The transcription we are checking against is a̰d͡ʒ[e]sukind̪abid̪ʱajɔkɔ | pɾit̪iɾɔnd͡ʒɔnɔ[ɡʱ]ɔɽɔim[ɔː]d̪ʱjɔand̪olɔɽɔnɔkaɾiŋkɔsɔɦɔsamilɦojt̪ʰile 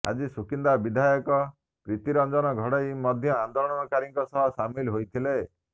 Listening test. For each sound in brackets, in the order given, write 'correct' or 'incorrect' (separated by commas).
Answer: incorrect, correct, incorrect